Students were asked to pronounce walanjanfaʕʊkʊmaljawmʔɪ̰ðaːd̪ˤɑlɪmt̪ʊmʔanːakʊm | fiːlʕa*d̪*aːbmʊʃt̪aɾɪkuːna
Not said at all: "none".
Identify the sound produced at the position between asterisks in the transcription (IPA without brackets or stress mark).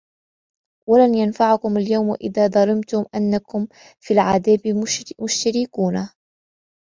d̪